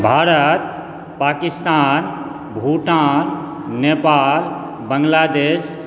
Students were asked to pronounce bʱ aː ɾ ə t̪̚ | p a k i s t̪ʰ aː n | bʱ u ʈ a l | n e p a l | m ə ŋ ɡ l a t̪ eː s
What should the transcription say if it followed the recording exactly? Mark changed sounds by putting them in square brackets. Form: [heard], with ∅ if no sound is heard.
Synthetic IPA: bʱ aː ɾ ə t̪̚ | p a k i s [t̪] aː n | bʱ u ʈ a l | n e p a l | [b] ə ŋ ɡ l a [d̪] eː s